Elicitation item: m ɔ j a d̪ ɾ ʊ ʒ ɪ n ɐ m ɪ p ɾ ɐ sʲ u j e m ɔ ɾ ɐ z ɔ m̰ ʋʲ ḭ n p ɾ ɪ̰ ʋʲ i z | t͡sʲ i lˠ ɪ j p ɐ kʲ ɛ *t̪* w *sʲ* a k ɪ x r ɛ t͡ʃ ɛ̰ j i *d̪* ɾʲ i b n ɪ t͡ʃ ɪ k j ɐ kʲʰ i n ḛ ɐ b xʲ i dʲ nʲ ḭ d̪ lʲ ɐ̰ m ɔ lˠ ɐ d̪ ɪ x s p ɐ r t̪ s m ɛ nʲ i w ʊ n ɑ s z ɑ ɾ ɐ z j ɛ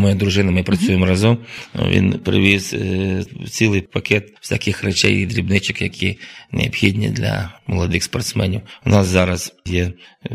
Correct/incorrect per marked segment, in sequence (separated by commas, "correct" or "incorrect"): correct, correct, correct